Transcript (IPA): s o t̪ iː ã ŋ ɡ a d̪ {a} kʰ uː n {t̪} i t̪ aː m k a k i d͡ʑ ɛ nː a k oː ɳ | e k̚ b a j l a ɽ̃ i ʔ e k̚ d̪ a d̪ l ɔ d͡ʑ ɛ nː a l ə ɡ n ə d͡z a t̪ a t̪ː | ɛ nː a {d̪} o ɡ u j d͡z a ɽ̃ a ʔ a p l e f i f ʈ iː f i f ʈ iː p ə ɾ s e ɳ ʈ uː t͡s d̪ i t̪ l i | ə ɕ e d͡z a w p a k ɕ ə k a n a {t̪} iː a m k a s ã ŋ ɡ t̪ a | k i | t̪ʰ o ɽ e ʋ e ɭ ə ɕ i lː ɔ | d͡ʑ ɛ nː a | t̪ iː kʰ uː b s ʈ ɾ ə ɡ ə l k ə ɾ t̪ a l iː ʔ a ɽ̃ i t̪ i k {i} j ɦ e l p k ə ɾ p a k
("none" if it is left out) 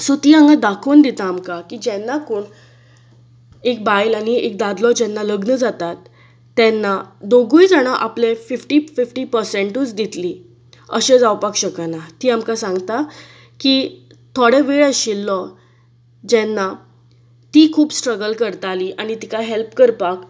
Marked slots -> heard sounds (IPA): a, d̪, d̪, t̪, a

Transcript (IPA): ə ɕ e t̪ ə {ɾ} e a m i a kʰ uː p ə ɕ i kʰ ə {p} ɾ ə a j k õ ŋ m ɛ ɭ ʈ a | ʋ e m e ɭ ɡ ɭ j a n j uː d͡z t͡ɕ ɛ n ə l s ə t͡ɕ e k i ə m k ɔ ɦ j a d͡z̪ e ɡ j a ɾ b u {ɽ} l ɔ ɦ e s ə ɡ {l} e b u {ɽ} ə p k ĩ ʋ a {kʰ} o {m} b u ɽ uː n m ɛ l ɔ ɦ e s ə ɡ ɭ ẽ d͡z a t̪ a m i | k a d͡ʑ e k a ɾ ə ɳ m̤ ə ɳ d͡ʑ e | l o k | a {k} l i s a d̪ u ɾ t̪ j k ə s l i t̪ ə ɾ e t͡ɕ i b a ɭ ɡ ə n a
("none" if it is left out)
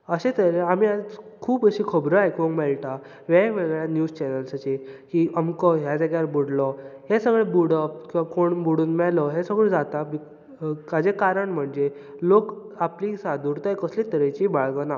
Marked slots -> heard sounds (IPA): ɾ, b, ɽ, ɭ, ɽ, k, ɳ, p

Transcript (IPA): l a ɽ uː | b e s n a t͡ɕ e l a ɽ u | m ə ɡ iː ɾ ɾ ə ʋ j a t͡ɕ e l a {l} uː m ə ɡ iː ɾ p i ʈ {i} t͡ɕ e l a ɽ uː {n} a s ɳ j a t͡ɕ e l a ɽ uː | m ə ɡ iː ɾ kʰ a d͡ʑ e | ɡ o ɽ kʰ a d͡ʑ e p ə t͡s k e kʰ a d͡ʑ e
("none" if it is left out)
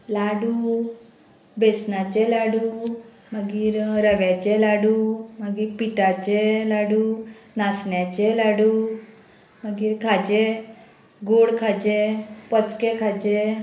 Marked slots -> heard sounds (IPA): ɽ, a, n

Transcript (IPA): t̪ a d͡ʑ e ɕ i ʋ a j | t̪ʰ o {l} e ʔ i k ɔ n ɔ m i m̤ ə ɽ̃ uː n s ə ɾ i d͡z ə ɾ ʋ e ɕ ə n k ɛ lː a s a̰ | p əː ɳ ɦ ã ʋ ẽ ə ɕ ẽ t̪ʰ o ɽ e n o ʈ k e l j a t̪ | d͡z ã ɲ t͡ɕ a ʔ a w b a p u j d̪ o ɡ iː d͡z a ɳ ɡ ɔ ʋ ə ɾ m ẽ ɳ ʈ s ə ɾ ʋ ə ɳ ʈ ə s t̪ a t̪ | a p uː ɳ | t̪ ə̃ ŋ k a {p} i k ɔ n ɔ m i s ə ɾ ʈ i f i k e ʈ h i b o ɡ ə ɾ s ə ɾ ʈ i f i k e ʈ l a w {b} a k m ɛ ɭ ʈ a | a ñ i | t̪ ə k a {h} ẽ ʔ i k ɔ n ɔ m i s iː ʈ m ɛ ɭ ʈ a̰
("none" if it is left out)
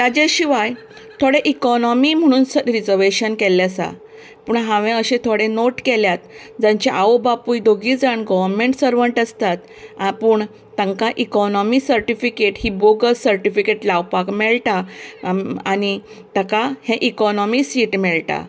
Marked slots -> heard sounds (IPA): ɽ, ʔ, p, h

